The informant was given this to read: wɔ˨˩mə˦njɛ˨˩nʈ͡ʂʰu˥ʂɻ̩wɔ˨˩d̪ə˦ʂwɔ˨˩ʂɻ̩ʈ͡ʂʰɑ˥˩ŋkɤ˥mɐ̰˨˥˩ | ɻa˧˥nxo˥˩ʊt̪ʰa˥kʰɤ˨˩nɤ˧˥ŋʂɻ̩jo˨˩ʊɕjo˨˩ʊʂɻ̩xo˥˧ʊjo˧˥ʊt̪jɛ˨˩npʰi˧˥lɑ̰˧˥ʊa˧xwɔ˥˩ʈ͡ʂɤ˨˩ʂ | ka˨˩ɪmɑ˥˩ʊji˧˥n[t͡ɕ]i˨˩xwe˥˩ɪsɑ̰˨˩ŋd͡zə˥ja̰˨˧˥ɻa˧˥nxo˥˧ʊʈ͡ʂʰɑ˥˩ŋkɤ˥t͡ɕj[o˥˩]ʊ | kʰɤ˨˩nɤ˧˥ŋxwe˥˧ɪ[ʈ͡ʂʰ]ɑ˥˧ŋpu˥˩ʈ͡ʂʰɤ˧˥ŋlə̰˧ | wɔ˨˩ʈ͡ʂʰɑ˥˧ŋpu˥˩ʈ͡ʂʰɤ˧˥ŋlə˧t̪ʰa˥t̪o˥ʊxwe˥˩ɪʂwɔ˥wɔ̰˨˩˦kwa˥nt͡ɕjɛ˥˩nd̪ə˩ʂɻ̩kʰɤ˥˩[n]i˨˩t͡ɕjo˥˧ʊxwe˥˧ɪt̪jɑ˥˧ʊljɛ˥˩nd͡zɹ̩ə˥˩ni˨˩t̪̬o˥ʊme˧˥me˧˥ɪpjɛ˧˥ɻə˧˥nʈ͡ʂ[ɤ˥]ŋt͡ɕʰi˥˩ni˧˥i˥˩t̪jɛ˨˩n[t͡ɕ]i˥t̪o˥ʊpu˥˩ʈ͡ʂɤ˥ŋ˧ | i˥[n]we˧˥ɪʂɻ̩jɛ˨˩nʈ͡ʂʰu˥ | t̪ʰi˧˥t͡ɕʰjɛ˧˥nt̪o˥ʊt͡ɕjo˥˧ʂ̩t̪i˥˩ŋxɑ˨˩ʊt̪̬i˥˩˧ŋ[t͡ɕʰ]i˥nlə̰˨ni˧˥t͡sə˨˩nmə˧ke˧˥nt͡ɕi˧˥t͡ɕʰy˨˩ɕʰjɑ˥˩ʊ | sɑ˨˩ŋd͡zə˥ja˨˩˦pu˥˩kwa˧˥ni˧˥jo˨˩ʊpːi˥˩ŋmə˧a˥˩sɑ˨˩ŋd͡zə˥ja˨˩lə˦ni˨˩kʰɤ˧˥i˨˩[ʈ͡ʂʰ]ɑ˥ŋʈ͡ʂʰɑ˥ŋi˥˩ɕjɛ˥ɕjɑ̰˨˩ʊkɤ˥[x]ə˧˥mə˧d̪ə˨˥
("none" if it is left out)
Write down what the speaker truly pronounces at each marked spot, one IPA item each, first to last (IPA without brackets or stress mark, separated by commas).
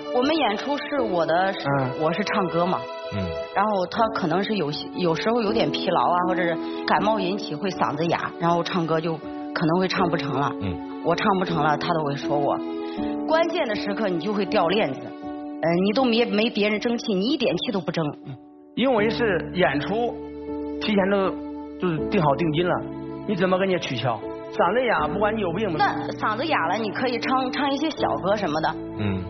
t͡ɕʰ, o˥˩, ʈ͡ʂʰ, n, ɤ˥, t͡ɕʰ, n, t͡ɕ, ʈ͡ʂʰ, ʂ